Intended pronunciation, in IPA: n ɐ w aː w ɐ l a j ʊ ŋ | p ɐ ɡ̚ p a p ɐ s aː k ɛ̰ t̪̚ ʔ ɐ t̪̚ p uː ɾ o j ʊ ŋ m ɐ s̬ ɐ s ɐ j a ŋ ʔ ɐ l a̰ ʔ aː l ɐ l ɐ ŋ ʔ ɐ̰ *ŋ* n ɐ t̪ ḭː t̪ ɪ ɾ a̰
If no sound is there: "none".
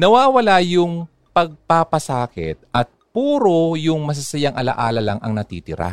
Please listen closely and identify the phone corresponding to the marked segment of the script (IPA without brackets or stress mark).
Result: ŋ